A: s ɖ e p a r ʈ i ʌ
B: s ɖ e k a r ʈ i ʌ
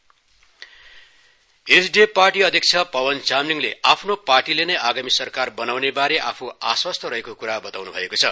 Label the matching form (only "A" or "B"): A